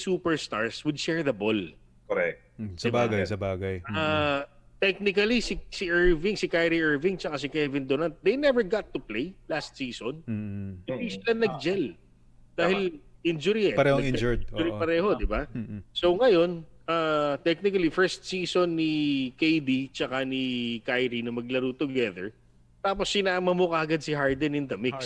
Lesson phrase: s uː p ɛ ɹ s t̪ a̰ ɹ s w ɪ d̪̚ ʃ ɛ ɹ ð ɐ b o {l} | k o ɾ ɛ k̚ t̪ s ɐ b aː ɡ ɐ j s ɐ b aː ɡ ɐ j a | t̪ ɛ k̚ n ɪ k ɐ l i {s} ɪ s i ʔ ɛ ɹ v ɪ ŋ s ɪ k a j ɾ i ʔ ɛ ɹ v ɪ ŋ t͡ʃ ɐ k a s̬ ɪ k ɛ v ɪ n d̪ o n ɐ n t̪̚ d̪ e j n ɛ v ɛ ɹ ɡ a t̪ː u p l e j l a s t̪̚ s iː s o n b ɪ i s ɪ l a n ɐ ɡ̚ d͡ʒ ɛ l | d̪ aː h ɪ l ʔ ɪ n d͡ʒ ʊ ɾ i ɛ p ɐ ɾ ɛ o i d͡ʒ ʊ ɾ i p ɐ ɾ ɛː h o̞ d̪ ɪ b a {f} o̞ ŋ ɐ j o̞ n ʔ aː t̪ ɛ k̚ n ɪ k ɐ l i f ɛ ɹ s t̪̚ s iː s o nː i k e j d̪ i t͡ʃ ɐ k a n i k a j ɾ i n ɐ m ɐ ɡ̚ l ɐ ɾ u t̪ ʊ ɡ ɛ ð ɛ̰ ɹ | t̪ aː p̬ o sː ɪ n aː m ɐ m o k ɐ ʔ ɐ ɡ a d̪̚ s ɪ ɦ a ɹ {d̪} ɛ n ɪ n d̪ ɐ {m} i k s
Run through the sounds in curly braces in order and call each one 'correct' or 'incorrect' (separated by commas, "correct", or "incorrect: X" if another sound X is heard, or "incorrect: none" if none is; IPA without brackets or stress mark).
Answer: correct, correct, incorrect: s, correct, correct